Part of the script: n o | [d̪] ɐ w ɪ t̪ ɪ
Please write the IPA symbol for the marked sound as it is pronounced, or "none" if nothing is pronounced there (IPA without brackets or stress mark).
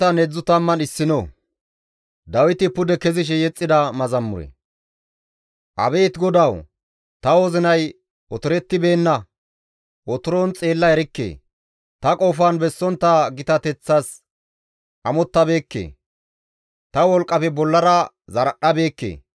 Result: d̪